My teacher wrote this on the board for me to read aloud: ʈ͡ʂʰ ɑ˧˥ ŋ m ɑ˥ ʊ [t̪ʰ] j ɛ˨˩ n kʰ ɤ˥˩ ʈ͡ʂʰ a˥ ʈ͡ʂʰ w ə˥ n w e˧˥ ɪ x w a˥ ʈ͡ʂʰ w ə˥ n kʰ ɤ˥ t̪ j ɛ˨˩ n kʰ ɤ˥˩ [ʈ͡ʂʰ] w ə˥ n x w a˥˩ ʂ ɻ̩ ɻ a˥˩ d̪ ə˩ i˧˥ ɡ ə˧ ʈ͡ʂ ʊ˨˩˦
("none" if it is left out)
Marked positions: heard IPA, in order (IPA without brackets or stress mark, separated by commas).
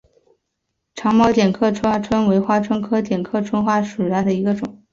t̪, ʈ͡ʂʰ